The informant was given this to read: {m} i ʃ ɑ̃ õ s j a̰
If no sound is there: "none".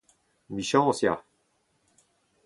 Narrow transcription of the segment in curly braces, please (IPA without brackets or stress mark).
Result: m